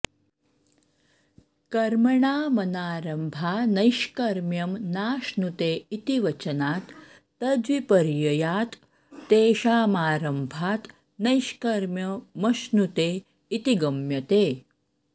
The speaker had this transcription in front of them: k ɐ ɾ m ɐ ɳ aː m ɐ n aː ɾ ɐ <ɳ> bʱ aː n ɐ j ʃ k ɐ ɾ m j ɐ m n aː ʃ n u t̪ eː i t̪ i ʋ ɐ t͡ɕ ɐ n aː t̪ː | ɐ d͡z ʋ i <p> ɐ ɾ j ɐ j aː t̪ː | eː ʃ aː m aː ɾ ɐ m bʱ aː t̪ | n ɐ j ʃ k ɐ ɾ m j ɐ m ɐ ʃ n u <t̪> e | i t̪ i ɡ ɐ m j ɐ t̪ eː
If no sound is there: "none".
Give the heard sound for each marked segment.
m, p, t̪

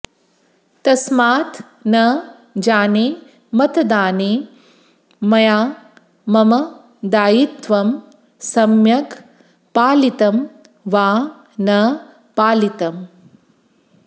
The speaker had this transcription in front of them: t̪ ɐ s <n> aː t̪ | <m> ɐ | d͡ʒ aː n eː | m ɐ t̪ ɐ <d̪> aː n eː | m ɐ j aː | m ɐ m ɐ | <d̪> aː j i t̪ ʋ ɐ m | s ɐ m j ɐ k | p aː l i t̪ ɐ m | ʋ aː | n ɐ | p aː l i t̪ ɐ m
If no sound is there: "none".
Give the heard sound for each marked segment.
m, n, d̪, d̪

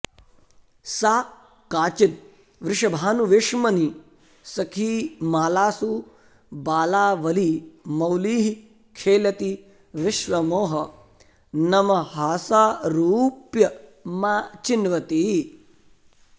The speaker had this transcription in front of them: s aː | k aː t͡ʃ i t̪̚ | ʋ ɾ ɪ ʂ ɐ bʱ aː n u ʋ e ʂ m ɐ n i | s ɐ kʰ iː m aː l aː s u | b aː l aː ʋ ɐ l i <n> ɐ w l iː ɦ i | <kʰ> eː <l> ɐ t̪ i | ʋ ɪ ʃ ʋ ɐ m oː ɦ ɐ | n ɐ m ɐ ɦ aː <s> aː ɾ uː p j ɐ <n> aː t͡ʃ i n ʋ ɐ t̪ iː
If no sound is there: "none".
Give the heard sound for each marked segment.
m, kʰ, l, s, m

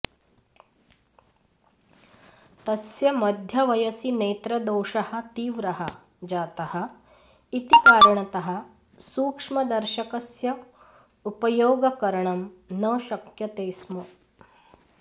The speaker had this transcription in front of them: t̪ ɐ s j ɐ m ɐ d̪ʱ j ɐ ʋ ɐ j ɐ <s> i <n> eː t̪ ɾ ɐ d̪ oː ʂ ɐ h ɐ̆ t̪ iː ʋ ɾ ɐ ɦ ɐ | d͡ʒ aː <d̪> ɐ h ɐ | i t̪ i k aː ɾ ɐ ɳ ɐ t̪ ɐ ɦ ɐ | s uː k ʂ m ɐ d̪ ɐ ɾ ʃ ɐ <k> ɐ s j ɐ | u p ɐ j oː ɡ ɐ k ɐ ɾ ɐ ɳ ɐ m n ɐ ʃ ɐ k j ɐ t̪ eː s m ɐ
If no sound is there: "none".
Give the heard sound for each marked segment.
s, n, t̪, k

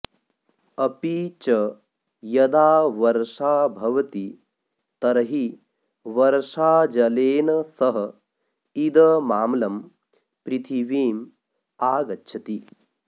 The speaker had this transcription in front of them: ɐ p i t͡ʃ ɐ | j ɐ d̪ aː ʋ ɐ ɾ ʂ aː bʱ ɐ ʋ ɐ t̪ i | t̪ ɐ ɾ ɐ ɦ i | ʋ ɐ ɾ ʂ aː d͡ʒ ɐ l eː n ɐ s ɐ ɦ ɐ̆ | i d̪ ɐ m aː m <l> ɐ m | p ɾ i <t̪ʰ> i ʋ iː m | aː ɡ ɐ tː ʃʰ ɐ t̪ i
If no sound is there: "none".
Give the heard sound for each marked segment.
l, t̪ʰ

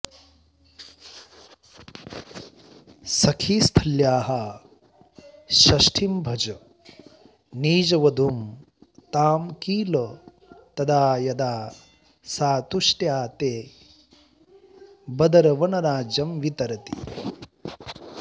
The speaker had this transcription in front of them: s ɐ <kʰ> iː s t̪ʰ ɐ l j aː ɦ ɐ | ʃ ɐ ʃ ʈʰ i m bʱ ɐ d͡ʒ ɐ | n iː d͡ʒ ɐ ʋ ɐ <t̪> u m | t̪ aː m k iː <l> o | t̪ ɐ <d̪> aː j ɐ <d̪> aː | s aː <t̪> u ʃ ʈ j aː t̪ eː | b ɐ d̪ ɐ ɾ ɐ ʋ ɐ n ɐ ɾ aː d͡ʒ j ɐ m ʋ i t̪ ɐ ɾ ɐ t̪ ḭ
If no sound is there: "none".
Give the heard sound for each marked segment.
kʰ, d̪, l, d̪, d̪, t̪

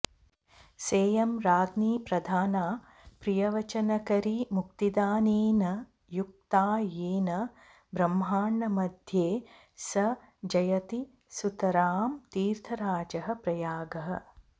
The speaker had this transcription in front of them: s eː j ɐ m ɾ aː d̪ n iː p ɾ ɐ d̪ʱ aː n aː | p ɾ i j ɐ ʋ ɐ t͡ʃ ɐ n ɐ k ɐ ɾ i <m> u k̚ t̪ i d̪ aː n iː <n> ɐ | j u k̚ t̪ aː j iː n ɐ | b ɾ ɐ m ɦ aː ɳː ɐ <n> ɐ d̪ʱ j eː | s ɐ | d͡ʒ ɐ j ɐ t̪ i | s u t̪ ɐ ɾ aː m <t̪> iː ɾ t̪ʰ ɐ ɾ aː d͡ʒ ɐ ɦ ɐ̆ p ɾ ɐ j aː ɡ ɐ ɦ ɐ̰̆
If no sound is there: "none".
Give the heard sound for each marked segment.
m, n, m, t̪

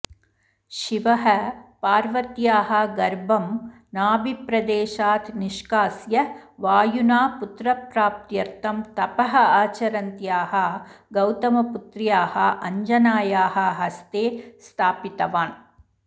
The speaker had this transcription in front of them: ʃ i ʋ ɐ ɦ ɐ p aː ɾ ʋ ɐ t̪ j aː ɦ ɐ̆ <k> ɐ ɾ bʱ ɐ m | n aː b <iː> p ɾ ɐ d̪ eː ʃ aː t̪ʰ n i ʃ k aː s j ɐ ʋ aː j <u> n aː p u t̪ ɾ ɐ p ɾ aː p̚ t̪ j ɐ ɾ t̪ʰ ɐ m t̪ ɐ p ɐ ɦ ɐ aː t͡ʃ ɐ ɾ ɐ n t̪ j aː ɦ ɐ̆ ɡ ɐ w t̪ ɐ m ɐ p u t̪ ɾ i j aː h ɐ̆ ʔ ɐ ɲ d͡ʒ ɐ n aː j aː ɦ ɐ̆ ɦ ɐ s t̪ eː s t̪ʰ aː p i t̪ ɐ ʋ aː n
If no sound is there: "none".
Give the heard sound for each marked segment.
ɡ, i, u

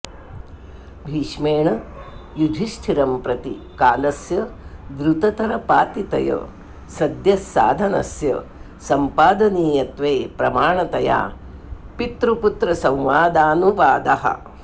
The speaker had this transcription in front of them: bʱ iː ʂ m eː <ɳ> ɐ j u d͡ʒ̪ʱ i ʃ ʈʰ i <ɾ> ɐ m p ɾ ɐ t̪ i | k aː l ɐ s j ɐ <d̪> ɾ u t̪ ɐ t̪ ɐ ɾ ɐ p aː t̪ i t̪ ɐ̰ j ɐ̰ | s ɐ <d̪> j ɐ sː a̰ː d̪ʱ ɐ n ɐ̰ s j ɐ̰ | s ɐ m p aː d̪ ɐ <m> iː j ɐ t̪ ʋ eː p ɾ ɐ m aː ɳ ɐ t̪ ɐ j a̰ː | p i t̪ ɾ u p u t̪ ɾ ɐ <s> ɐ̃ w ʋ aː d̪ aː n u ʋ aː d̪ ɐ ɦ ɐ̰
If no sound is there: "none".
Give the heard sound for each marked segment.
ɳ, ɾ, d̪, d̪, n, s

